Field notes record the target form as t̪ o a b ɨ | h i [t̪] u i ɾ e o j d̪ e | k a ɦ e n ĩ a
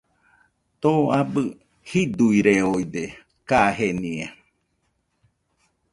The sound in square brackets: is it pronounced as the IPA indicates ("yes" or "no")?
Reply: no